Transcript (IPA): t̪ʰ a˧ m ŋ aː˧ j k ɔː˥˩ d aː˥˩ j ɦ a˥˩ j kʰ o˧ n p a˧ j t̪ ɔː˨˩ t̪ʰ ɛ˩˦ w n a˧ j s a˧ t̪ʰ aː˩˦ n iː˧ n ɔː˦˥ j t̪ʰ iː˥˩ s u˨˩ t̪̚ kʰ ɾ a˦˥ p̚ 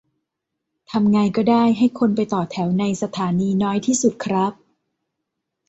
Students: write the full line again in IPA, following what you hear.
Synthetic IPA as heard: t̪ʰ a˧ m ŋ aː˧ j k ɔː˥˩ d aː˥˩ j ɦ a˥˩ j kʰ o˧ n p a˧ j t̪ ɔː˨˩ t̪ʰ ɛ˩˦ w n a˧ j s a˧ t̪ʰ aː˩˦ n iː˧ n ɔː˦˥ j t̪ʰ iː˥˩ s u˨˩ t̪̚ kʰ ɾ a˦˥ p̚